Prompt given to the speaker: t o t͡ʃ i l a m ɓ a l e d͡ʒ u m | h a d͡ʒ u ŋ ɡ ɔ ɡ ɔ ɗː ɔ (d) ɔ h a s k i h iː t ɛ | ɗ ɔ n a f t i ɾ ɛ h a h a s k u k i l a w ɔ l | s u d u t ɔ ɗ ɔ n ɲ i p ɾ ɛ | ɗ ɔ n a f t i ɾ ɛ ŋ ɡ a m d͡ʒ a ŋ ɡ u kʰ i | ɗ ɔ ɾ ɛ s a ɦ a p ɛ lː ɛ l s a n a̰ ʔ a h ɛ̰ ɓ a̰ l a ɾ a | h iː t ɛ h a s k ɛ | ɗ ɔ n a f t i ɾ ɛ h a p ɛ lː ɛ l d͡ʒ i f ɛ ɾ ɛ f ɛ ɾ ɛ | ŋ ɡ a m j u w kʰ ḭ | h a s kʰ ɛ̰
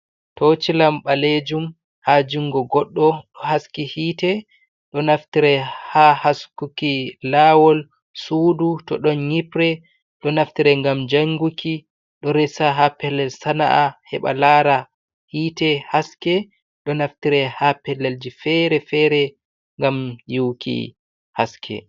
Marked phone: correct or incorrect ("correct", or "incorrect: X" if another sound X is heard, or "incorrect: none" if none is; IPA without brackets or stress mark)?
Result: incorrect: ɗ